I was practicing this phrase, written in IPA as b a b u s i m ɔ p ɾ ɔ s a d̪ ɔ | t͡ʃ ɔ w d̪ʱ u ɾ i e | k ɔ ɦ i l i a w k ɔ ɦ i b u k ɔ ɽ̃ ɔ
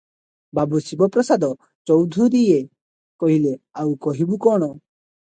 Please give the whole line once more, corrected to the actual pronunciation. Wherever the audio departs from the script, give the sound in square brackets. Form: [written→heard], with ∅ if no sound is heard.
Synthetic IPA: b a b u s i [m→b] ɔ p ɾ ɔ s a d̪ ɔ | t͡ʃ ɔ w d̪ʱ u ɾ i e | k ɔ ɦ i l [i→e] a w k ɔ ɦ i b u k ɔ ɽ̃ ɔ